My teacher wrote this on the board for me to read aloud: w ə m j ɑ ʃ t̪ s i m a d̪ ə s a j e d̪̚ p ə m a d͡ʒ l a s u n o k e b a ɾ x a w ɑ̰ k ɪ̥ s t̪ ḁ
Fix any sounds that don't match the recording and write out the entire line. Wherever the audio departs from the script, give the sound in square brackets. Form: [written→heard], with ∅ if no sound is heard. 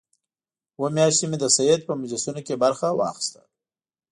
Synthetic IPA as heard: w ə m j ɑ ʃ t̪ s i m [a→e] d̪ ə s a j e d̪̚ p ə m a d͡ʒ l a s u n o k e b a ɾ x a w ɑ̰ [k→x] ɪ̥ s t̪ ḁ

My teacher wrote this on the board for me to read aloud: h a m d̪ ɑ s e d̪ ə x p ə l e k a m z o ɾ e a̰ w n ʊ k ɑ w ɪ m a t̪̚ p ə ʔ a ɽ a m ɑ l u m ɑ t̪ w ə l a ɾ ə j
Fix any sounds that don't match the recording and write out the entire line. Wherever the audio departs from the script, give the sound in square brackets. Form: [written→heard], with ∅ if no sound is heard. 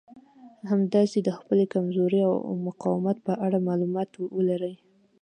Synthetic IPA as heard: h a m d̪ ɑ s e d̪ ə x p ə l e k a m z o ɾ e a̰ w [n→m] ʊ [k→q] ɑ w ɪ m a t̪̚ p ə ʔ a ɽ a m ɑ l u m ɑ t̪ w ə l a ɾ ə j

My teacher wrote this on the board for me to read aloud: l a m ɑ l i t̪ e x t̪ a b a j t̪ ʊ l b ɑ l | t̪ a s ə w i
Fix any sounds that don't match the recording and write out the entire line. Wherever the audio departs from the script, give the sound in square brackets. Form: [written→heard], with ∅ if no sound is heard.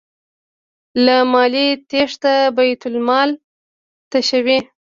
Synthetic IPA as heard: l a m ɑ l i t̪ e [x→ʂ] t̪ a b a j t̪ ʊ l [b→m] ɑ l | t̪ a [s→ʃ] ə w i

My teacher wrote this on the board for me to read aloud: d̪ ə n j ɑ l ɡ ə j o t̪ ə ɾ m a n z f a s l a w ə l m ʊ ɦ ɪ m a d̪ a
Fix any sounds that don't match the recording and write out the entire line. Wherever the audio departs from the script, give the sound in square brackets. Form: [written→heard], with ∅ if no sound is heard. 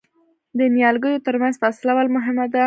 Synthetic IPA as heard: d̪ ə n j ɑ l ɡ ə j o t̪ ə ɾ m a n z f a s l a w [ə→ɑ] l m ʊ ɦ ɪ m a d̪ a

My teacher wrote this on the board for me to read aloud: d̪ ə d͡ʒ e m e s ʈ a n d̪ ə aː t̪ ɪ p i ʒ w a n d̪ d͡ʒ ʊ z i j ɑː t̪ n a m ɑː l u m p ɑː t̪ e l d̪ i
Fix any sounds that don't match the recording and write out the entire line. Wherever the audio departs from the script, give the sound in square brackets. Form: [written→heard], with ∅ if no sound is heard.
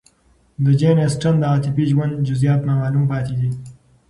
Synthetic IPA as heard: d̪ ə d͡ʒ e [m→n] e s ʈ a n d̪ ə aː t̪ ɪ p i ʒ w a n d̪ d͡ʒ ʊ z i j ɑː t̪ n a m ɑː l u m p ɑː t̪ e [l→∅] d̪ i

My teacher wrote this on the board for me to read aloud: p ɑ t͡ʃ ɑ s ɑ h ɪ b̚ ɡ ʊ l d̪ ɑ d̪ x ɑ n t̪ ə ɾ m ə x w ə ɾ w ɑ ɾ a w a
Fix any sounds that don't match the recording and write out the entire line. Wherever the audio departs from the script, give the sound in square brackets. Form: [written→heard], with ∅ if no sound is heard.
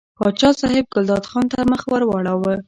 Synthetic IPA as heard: p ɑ t͡ʃ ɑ s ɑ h ɪ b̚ ɡ ʊ l d̪ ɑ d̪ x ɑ n t̪ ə ɾ m ə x w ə ɾ w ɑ [ɾ→ɽ] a w [a→ə]

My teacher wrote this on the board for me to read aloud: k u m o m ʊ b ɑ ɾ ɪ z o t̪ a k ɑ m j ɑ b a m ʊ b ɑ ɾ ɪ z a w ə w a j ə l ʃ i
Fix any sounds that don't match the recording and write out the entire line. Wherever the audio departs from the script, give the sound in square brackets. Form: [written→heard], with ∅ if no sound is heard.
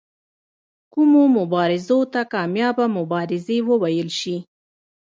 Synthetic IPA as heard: k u m o m ʊ b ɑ ɾ ɪ z o t̪ a k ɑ m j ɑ b a m ʊ b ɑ ɾ ɪ z [a→e] w ə w a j ə l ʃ i

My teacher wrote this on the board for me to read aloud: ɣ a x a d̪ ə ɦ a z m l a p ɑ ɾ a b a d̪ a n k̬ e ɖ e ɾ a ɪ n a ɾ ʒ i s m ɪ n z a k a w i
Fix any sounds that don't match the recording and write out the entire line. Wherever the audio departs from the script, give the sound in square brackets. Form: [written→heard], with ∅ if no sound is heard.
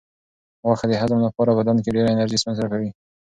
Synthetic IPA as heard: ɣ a x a d̪ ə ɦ a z m l a p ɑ ɾ a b a d̪ a n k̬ e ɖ e ɾ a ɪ n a ɾ ʒ i s m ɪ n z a k a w i

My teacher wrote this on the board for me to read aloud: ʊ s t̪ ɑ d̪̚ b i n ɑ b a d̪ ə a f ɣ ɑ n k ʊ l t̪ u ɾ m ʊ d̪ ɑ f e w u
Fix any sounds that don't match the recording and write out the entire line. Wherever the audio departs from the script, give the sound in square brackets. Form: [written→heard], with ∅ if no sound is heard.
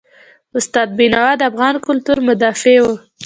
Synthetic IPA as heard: ʊ s t̪ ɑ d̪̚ b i n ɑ [b→w] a d̪ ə a f ɣ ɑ n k ʊ l t̪ u ɾ m ʊ d̪ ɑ f e w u

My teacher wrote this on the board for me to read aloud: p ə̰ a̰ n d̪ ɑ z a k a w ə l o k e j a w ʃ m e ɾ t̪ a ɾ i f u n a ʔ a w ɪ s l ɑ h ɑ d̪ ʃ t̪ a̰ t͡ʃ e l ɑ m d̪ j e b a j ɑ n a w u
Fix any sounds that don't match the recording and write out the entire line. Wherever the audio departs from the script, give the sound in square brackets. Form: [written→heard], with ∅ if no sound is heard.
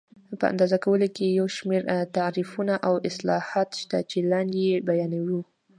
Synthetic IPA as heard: p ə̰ a̰ n d̪ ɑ z a k a w ə l o k e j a w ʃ m e ɾ t̪ a ɾ i f u n a ʔ a w ɪ s l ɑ h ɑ [d̪→t̪] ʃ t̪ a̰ t͡ʃ e l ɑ [m→n] d̪ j e b a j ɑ n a w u

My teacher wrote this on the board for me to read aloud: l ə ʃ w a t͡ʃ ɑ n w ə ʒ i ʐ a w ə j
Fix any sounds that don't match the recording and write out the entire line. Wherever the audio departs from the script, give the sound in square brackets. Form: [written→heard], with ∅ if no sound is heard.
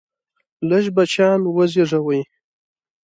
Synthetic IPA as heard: l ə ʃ [w→b] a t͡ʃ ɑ n w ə [ʒ→z] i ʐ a w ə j

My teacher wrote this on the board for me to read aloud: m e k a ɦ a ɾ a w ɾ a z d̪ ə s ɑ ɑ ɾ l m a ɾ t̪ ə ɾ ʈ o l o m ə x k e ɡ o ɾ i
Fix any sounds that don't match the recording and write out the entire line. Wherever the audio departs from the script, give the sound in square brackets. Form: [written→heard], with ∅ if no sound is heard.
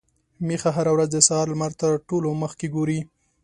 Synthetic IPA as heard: m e [k→x] a ɦ a ɾ a w ɾ a z d̪ ə s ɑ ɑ ɾ l m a ɾ t̪ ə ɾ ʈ o l o m ə x k e ɡ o ɾ i

